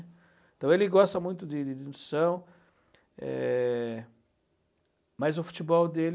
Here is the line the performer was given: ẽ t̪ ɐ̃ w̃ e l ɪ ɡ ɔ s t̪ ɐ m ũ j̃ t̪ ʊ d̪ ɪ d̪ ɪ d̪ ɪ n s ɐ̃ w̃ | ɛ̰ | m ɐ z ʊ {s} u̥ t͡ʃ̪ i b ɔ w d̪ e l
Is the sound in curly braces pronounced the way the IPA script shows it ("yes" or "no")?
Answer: no